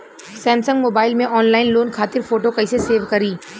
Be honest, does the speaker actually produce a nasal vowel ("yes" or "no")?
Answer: yes